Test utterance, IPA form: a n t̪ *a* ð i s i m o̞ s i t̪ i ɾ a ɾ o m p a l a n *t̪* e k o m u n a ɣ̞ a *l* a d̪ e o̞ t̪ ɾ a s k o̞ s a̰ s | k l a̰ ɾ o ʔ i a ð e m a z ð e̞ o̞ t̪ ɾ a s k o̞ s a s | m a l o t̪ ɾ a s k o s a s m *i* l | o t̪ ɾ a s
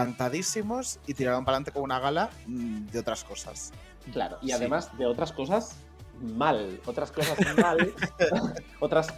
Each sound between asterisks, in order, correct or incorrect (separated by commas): correct, correct, correct, incorrect